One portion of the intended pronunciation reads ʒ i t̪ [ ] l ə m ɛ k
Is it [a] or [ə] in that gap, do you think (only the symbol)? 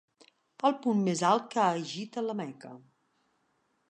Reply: ə